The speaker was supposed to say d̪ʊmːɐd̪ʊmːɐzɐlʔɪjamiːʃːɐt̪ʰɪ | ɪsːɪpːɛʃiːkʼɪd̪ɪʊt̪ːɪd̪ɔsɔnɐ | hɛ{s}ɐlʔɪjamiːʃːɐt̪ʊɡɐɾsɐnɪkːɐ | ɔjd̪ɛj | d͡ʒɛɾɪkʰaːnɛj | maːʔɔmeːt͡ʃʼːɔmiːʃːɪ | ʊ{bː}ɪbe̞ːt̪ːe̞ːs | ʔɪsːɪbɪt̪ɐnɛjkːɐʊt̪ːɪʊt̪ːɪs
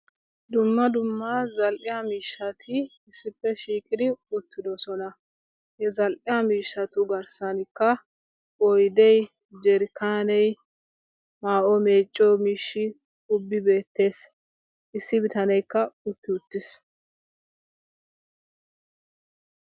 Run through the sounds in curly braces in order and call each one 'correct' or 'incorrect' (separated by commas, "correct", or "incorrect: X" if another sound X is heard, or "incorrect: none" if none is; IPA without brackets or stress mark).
incorrect: z, correct